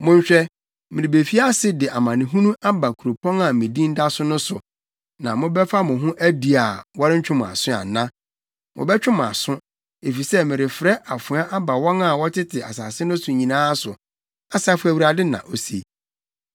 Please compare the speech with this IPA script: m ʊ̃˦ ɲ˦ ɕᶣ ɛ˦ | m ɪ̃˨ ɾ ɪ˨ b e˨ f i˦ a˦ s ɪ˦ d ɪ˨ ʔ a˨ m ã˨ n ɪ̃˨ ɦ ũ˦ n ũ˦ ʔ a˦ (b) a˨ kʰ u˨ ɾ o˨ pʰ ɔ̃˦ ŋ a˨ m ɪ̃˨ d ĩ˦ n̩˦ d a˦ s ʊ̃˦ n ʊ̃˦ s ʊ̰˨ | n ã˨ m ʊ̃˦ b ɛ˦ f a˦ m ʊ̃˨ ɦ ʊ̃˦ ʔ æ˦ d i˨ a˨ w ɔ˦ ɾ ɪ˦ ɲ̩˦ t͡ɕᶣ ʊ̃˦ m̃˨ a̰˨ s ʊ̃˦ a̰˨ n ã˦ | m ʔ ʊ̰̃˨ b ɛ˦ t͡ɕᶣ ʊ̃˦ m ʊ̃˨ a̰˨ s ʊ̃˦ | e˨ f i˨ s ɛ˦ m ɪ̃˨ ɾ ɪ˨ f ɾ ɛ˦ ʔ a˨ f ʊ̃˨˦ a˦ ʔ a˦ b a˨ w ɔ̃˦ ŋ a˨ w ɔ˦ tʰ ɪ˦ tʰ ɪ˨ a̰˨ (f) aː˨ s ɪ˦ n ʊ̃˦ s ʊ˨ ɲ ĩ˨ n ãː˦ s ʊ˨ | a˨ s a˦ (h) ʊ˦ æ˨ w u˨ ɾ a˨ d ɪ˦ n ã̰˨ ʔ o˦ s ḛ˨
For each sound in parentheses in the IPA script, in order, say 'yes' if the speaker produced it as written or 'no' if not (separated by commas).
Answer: yes, no, no